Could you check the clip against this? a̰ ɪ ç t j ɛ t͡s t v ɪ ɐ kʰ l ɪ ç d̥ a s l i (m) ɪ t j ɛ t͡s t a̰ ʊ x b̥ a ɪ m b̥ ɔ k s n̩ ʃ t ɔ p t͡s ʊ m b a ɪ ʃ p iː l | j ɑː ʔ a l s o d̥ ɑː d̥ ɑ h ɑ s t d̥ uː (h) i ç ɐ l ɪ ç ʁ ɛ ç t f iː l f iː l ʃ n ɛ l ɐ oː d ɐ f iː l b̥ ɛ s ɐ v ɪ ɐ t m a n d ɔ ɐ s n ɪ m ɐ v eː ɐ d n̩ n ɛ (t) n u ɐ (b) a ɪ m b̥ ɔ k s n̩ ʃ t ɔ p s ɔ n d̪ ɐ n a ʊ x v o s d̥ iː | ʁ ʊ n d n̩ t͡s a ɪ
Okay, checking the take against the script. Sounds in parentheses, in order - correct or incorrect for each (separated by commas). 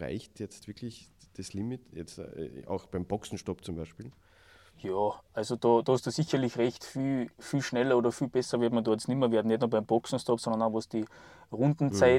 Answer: correct, incorrect, correct, correct